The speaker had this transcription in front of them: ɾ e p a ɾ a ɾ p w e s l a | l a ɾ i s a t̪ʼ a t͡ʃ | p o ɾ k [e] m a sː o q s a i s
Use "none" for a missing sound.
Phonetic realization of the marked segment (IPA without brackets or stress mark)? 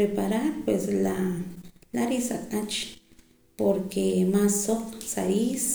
e